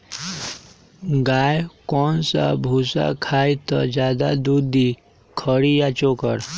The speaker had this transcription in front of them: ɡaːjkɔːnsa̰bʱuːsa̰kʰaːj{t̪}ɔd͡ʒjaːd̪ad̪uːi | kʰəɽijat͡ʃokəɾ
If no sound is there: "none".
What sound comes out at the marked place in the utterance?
t̪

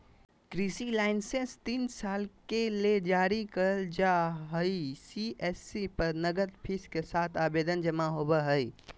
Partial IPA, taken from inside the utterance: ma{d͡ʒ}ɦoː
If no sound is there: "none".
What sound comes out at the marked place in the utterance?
none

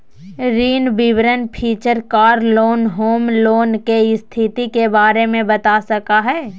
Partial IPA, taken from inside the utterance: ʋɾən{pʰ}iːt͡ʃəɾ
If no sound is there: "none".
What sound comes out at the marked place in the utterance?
pʰ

